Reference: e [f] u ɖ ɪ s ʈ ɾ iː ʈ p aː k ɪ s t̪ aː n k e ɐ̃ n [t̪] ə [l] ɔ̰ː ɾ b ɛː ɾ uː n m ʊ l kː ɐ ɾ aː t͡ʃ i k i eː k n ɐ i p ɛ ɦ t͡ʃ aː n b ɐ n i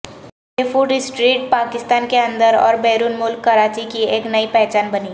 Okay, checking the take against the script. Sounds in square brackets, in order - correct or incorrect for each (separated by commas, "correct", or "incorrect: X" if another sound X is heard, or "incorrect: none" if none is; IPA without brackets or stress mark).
correct, incorrect: d̪, incorrect: ɾ